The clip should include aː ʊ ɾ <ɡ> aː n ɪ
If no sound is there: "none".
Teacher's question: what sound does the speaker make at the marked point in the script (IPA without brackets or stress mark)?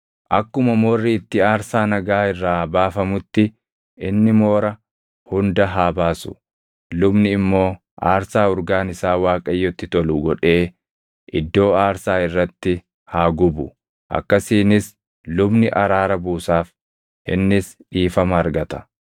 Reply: ɡ